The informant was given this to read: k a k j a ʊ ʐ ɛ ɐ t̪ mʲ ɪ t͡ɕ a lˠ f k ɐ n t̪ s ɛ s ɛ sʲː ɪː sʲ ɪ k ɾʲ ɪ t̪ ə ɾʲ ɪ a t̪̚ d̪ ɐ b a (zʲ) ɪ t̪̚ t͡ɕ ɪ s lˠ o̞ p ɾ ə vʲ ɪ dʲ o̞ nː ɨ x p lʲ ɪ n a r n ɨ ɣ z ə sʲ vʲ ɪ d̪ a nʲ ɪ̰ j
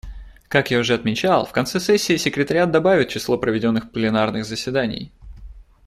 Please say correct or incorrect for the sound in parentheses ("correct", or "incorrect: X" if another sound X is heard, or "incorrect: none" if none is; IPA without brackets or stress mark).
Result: incorrect: vʲ